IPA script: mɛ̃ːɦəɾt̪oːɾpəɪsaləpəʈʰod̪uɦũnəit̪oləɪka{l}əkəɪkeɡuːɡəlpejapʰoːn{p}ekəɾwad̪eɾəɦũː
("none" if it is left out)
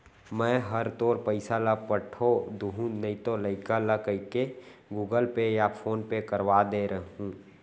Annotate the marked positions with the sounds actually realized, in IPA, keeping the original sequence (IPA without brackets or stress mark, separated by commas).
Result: l, p